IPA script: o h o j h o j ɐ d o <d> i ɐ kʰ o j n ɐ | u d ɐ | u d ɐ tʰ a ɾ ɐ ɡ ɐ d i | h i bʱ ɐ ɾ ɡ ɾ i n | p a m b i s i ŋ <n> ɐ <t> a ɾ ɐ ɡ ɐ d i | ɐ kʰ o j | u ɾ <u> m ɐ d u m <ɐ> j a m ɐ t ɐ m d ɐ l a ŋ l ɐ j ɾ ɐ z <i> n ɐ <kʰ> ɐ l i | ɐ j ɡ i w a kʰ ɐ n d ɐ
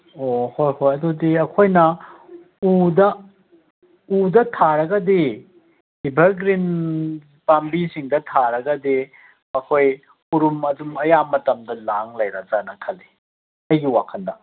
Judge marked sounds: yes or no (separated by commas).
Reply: yes, no, no, yes, yes, no, yes